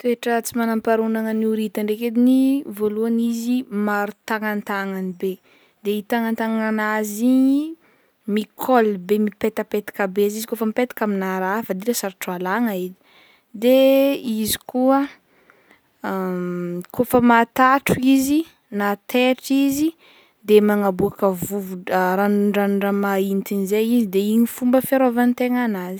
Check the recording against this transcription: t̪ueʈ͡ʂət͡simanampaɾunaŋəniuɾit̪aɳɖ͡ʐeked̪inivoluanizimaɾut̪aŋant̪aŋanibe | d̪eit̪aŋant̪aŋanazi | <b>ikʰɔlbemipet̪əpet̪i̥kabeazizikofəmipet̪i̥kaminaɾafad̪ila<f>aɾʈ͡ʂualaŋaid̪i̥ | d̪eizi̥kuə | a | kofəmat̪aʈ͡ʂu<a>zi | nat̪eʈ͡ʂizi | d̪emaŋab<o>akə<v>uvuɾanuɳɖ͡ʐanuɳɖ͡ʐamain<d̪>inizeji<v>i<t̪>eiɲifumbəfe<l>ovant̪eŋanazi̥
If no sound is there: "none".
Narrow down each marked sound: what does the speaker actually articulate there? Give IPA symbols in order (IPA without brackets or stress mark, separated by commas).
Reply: m, s, i, u, v, t̪, z, d̪, ɾ